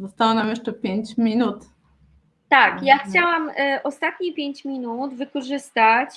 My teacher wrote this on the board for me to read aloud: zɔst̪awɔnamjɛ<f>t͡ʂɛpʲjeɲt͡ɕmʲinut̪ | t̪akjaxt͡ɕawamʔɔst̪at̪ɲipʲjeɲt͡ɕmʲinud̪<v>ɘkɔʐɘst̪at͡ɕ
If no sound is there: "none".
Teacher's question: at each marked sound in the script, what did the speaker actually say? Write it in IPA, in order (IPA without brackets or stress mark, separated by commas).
ʂ, v